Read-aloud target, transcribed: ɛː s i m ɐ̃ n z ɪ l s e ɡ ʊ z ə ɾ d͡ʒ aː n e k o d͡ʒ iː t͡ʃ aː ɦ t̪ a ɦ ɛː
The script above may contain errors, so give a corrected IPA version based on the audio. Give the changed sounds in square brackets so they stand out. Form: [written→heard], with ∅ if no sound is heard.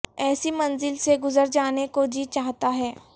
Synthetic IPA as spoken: ɛː s i m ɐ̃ n z ɪ l s e ɡ ʊ z ə ɾ d͡ʒ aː n e k o d͡ʒ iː t͡ʃ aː ɦ t̪ a ɦ ɛː